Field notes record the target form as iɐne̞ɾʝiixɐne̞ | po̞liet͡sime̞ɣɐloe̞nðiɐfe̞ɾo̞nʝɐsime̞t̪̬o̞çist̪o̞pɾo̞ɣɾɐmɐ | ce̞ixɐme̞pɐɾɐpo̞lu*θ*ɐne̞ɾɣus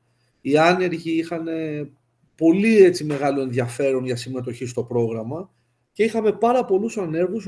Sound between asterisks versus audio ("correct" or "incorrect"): incorrect